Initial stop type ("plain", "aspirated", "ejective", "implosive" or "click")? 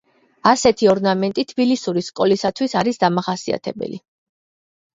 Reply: aspirated